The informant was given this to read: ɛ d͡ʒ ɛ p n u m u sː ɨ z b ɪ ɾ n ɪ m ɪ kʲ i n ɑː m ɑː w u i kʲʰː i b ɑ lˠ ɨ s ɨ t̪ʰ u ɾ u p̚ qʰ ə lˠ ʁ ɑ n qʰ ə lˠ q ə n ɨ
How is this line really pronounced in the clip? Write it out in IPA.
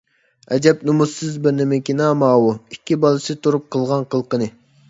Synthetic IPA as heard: ɛ d͡ʒ ɛ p n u m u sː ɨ z b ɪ ɾ n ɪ m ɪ kʲ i n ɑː m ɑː w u i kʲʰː i b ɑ lˠ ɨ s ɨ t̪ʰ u ɾ u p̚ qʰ ə lˠ ʁ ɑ n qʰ ə lˠ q ə n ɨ